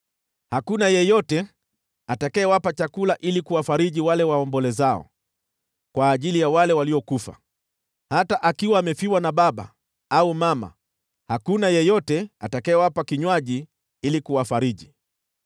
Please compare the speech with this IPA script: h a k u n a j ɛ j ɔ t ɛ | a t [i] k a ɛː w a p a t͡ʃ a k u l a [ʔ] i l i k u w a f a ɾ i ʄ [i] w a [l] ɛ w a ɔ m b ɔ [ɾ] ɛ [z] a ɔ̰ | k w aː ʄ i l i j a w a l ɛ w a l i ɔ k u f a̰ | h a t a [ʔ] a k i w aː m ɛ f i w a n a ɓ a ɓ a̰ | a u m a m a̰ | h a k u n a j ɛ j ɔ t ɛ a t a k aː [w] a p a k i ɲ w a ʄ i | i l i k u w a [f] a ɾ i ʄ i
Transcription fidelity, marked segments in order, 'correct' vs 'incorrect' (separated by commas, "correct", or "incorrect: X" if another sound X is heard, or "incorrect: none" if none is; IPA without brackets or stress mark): incorrect: a, correct, correct, correct, incorrect: l, correct, correct, correct, correct